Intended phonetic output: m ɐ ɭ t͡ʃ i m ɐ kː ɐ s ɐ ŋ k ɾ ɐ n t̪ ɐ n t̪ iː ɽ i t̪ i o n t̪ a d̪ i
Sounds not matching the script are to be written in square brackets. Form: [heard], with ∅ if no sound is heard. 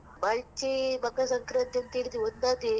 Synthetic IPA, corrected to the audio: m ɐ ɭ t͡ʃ i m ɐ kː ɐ s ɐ ŋ k ɾ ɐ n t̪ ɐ n t̪ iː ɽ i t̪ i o n [d̪] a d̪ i